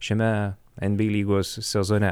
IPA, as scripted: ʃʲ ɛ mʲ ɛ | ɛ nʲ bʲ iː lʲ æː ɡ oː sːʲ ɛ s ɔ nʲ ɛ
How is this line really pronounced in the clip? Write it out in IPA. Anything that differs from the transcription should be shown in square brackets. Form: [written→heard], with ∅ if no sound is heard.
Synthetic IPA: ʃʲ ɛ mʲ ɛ | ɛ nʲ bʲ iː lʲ [æː→iː] ɡ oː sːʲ ɛ [s→z] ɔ nʲ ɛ